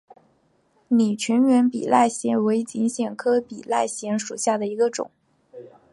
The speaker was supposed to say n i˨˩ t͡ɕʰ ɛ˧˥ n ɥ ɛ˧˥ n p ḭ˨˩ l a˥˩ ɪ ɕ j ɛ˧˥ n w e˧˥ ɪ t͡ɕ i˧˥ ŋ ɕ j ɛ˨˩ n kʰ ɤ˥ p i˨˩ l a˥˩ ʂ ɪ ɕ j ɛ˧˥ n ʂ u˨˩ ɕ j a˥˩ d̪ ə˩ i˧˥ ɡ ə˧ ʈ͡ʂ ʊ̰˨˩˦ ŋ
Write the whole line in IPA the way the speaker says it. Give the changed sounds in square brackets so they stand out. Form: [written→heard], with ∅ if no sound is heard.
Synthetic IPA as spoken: n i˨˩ t͡ɕʰ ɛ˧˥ n ɥ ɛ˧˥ n p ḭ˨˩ l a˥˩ ɪ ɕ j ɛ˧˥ n w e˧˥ ɪ t͡ɕ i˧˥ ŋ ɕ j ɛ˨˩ n kʰ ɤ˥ p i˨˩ l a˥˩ [ʂ→∅] ɪ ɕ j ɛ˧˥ n ʂ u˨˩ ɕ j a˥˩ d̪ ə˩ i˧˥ ɡ ə˧ ʈ͡ʂ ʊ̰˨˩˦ ŋ